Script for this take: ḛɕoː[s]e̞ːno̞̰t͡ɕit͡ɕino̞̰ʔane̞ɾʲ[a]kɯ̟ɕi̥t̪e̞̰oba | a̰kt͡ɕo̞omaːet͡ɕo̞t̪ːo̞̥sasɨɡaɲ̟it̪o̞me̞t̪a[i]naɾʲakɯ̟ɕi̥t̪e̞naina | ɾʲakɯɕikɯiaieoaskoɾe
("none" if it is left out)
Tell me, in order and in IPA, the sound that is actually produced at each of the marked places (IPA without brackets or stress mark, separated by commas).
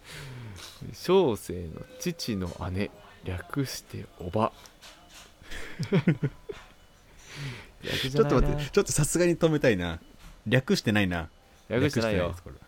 s, a, i